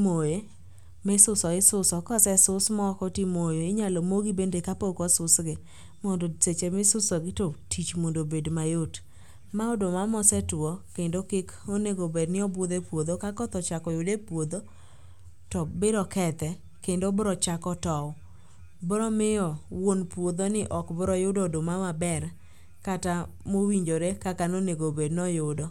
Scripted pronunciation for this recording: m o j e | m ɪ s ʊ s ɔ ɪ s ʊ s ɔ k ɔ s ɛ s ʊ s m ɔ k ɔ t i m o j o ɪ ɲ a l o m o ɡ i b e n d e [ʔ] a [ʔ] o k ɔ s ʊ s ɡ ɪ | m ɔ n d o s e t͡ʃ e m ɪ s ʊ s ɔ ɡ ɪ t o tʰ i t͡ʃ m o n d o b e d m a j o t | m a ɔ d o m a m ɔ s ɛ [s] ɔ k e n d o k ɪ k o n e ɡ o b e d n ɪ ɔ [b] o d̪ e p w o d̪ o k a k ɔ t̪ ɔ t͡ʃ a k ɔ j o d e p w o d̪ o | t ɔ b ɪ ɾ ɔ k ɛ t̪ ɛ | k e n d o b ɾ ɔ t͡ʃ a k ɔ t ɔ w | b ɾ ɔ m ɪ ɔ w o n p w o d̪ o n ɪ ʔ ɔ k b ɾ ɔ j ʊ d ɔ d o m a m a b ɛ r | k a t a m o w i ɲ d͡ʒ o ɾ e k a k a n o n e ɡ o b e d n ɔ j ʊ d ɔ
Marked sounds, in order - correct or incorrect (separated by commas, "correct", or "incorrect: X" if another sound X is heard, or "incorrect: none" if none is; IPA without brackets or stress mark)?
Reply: incorrect: k, incorrect: p, incorrect: t, correct